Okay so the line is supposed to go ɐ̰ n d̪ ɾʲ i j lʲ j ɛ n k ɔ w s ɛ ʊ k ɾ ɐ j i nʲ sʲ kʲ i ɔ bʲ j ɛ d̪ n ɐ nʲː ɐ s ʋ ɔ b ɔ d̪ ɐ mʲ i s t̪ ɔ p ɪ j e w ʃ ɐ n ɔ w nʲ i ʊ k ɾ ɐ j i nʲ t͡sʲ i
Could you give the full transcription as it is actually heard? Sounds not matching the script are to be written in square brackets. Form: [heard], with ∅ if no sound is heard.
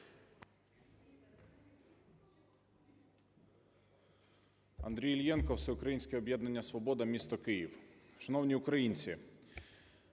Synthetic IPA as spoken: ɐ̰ n d̪ ɾʲ i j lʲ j ɛ n k ɔ w s ɛ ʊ k ɾ ɐ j i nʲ sʲ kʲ [ɛ] ɔ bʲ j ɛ d̪ n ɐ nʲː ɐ s ʋ ɔ b ɔ d̪ ɐ mʲ i s t̪ ɔ [k] ɪ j [i] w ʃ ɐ n ɔ w nʲ i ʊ k ɾ ɐ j i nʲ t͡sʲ i